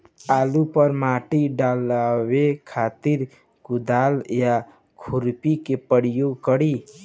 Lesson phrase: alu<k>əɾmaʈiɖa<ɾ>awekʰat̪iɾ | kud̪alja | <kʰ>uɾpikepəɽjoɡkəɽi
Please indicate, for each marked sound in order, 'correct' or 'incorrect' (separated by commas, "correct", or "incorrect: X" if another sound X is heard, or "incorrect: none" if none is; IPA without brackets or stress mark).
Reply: incorrect: p, incorrect: l, correct